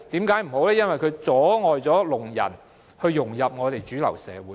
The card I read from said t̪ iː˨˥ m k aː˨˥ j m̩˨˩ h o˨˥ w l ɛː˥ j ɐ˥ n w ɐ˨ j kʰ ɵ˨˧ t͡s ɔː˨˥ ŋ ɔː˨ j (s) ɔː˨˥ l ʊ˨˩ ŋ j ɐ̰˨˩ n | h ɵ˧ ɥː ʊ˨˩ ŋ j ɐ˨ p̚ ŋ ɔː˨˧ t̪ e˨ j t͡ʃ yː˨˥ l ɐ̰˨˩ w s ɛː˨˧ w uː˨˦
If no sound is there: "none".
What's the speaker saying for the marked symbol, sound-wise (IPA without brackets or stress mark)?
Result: t͡s